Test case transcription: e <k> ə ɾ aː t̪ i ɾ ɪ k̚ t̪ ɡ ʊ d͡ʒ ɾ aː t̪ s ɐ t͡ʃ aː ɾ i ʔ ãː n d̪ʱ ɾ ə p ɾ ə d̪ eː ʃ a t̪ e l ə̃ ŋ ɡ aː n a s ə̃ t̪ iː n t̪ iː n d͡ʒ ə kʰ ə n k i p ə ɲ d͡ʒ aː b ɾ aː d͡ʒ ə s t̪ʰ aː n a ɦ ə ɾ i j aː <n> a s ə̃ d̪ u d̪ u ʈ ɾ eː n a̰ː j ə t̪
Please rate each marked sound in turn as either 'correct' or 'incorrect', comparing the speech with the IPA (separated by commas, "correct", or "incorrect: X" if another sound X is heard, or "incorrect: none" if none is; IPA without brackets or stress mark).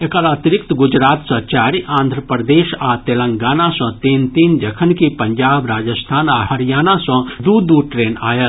correct, correct